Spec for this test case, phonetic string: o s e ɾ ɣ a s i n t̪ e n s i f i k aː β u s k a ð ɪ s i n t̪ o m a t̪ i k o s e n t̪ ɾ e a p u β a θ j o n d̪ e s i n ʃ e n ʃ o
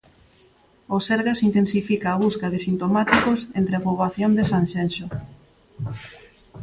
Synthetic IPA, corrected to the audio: o s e ɾ ɣ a s i n t̪ e n s i f i k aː β u s k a ð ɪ s i n t̪ o m a t̪ i k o s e n t̪ ɾ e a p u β a θ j o n d̪ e s a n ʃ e n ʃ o